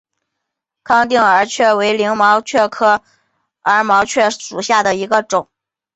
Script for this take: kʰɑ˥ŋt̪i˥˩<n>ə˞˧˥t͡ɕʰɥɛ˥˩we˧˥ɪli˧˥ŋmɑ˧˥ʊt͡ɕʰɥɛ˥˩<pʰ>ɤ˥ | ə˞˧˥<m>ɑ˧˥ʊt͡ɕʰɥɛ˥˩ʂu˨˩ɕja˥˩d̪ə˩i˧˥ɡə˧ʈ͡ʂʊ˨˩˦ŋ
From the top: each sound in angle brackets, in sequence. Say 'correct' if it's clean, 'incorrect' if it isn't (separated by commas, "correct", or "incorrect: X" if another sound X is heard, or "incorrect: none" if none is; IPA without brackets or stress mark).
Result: incorrect: ŋ, incorrect: kʰ, correct